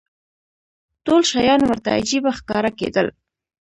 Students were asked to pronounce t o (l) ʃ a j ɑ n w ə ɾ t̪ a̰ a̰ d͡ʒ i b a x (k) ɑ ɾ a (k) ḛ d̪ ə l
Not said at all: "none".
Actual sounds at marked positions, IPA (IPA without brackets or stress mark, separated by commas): l, k, k